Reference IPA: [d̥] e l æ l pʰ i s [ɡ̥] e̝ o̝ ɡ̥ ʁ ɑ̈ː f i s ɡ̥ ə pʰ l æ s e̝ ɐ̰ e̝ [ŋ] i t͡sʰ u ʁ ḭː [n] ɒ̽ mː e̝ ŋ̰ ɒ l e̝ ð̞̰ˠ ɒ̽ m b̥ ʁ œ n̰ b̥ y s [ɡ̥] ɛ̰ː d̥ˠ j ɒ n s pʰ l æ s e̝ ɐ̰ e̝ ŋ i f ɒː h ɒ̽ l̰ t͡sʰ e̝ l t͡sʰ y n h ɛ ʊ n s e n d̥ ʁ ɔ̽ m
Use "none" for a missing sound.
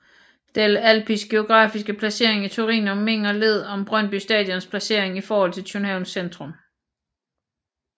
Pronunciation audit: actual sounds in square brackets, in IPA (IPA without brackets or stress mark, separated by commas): d̥, ɡ̥, ŋ, n, d̥